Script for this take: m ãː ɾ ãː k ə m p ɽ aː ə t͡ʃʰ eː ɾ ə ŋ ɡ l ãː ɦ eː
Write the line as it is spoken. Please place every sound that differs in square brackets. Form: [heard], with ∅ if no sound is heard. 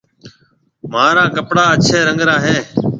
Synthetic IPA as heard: m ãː ɾ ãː k ə [∅] p ɽ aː ə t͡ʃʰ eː ɾ ə ŋ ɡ [ɾ] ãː ɦ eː

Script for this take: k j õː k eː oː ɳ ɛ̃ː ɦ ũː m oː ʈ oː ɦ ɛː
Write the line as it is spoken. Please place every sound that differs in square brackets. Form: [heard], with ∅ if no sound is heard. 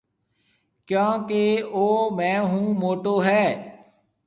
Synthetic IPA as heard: k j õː k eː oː [m] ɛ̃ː ɦ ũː m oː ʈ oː ɦ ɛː

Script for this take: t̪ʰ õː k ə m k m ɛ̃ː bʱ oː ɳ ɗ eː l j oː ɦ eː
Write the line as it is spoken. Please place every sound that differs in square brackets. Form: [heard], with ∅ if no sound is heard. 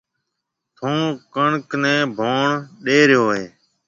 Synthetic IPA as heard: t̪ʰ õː k ə [ɳ] k [n] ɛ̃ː bʱ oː ɳ ɗ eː [ɾ] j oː ɦ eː

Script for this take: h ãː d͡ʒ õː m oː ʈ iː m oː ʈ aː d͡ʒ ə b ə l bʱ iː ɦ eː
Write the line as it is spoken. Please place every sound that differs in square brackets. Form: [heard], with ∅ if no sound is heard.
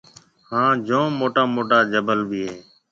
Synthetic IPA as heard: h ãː d͡ʒ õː m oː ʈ [aː] m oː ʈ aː d͡ʒ ə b ə l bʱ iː ɦ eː

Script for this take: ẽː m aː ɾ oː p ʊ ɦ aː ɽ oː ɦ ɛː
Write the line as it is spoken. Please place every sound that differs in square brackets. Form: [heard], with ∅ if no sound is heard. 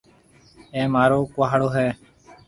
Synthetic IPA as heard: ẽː m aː ɾ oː [k] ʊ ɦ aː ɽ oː ɦ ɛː

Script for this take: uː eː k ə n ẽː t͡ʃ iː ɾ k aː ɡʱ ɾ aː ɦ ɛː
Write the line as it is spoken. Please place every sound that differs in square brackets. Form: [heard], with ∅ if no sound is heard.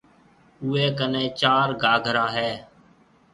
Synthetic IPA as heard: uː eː k ə n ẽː t͡ʃ [aː] ɾ [ɡ] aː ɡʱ ɾ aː ɦ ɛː

